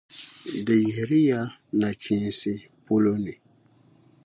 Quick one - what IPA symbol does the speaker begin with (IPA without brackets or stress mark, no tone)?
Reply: d